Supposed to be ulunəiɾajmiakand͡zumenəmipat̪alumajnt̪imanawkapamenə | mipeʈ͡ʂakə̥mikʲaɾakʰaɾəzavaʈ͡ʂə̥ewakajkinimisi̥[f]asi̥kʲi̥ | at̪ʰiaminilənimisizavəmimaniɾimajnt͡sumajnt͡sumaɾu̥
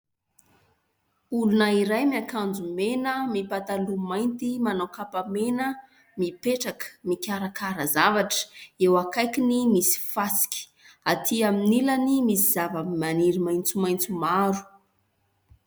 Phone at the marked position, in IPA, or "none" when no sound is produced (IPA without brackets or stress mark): f